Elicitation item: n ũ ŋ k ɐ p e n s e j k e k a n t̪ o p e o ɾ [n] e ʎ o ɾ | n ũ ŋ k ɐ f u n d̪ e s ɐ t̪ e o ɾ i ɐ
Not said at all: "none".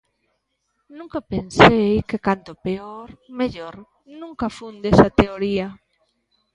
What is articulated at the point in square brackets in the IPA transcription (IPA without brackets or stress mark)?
m